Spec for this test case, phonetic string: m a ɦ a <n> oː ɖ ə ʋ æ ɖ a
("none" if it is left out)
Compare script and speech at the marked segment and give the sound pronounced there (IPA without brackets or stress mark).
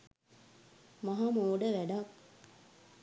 m